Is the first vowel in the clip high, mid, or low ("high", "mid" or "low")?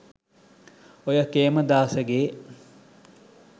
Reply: mid